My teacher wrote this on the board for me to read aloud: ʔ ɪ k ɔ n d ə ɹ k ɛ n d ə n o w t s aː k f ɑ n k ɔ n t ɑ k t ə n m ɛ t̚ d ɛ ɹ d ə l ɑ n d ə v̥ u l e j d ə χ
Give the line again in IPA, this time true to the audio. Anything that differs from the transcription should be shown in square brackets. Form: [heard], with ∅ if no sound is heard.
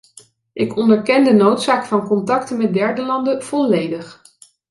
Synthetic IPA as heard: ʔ ɪ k ɔ n d ə ɹ k ɛ n d ə n o w t s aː k f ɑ n k ɔ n t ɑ k t ə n m ɛ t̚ d ɛ ɹ d ə l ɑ n d ə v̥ [ɔ] l e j d ə χ